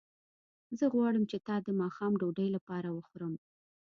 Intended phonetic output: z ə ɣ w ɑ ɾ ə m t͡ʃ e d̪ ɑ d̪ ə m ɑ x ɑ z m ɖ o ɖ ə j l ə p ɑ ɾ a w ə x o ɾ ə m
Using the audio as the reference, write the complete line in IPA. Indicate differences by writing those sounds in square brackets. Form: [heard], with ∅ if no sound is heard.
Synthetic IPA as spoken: z ə ɣ w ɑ [ɽ] ə m t͡ʃ e [t̪] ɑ d̪ ə m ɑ x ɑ [∅] m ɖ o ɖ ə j l [a] p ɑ ɾ a w ə x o ɾ ə m

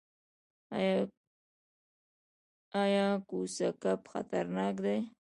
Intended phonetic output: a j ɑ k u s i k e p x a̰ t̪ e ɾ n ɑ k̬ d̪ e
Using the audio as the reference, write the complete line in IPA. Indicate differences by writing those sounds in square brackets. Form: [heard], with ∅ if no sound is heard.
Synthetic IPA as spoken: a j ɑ k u s [a] k [a] p x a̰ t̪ [a] ɾ n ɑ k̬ d̪ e

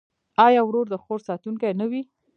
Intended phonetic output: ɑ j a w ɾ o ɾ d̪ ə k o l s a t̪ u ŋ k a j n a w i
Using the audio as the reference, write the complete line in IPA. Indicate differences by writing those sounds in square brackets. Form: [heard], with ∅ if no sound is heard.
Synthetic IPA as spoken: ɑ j [ɑ] w ɾ o ɾ d̪ ə [x] o [ɾ] s [ɑ] t̪ u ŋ k a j n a w i

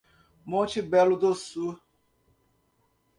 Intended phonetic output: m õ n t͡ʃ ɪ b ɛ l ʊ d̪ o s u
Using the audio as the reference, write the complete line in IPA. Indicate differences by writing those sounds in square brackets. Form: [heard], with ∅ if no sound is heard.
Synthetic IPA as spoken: m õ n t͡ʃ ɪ b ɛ l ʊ d̪ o s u

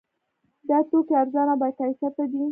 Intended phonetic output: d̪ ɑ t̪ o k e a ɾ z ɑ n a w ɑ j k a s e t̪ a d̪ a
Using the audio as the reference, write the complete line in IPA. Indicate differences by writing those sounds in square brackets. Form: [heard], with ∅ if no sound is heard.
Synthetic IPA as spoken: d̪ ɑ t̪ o k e a ɾ z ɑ n a [b] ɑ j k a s [a] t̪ a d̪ [i]

